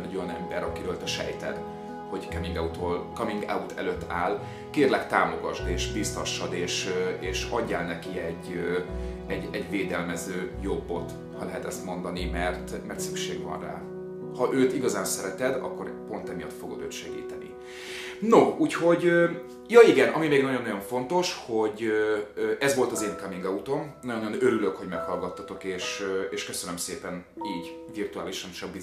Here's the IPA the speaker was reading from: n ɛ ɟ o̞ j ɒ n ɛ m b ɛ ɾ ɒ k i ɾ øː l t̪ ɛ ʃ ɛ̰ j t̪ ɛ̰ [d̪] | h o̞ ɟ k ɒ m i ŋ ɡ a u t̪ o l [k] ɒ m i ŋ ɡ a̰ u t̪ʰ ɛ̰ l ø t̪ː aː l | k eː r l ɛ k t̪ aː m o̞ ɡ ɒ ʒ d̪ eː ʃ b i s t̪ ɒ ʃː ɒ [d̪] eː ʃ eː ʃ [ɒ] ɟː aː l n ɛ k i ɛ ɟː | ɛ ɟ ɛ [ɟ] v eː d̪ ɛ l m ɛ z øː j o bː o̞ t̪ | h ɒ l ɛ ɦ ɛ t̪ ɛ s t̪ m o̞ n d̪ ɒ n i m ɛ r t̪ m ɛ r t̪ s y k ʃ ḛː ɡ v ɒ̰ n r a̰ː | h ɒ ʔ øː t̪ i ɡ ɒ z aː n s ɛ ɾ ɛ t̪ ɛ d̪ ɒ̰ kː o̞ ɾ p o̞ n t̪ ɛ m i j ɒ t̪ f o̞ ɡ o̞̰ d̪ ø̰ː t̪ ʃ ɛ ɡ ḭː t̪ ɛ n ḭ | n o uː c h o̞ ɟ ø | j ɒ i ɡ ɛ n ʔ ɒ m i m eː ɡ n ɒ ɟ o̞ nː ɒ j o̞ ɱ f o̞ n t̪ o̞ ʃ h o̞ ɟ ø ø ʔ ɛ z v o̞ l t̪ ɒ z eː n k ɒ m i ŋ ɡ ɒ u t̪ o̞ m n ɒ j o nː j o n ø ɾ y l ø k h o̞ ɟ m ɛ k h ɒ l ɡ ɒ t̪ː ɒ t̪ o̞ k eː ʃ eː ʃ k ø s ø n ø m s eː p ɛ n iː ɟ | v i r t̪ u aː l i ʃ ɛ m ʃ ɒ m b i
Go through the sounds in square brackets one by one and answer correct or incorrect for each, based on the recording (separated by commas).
correct, correct, correct, correct, correct